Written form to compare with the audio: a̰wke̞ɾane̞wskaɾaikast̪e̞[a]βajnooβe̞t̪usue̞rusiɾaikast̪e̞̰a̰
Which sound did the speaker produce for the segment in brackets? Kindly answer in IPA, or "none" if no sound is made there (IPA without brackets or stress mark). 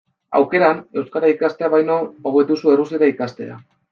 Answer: a